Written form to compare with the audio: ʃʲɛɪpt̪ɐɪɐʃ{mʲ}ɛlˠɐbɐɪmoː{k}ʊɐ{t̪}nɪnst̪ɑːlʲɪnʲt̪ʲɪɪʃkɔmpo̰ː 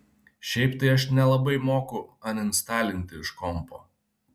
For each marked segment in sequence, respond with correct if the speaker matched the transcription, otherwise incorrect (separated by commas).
incorrect, correct, incorrect